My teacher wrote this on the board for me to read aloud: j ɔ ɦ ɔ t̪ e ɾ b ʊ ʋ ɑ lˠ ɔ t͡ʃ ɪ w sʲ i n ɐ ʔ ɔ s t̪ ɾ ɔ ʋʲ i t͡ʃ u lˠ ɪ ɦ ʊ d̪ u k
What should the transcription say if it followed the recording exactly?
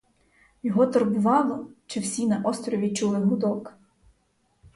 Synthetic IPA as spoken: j ɔ ɦ ɔ t̪ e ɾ b ʊ ʋ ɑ lˠ ɔ t͡ʃ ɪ w sʲ i n ɐ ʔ ɔ s t̪ ɾ ɔ ʋʲ i t͡ʃ u lˠ ɪ ɦ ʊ d̪ ɔ k